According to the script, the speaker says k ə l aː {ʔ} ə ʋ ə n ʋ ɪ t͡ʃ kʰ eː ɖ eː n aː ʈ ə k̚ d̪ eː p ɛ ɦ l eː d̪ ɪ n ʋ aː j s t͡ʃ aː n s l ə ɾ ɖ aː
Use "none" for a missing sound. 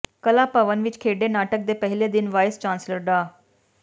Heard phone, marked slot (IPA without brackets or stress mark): p